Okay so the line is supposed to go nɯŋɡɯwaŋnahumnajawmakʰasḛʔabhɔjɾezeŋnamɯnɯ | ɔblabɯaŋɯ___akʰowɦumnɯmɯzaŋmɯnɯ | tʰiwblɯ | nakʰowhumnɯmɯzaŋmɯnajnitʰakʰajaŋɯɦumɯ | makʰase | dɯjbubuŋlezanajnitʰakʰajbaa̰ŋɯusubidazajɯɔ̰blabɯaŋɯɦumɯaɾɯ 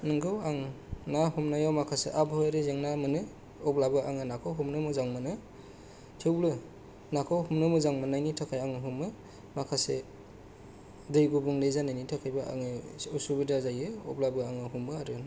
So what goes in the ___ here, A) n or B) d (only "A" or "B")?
A